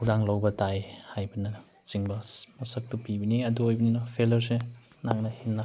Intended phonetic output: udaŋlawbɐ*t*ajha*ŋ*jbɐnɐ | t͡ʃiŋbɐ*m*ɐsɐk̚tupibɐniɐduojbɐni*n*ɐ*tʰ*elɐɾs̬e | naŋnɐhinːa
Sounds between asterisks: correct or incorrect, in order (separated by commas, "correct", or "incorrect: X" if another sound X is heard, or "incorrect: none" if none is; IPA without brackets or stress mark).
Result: correct, incorrect: none, correct, correct, incorrect: pʰ